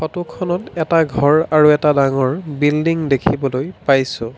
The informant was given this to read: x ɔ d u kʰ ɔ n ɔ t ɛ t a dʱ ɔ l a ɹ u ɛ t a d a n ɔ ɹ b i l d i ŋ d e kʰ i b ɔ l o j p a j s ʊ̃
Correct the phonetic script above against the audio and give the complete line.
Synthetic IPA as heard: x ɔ t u kʰ ɔ n ɔ t ɛ t a ɡʱ ɔ ɹ a ɹ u ɛ t a d a ŋ ɔ ɹ b i l d i ŋ d e kʰ i b ɔ l o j p a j s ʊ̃